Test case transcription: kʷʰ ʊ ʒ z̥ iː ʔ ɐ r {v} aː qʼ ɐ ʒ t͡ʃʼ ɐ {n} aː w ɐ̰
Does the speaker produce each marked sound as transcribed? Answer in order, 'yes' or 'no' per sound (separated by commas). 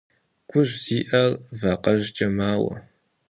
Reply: yes, no